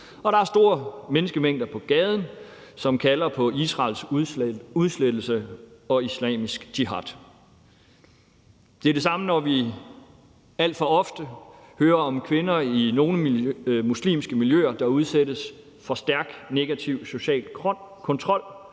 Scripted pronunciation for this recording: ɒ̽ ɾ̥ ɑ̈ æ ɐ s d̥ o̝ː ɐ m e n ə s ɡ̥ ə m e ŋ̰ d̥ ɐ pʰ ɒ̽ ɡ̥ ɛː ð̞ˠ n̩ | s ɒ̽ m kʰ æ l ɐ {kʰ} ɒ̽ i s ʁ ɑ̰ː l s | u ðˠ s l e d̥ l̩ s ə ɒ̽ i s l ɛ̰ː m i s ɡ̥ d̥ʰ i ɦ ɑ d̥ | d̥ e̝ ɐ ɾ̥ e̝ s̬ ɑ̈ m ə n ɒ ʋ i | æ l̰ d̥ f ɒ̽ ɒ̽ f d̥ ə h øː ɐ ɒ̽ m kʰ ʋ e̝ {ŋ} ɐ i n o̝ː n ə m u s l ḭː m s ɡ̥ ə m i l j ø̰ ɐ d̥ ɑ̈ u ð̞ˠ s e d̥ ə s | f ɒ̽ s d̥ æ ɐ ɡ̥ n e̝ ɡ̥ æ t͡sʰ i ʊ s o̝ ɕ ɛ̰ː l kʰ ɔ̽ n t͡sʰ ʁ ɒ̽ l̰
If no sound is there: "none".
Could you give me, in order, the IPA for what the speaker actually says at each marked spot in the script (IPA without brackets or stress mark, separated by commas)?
pʰ, n